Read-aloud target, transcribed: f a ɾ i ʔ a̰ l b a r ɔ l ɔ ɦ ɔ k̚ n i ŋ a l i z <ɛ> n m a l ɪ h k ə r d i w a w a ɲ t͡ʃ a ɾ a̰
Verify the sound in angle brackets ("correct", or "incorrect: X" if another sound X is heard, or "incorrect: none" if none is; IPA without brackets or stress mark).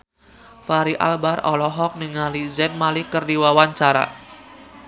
correct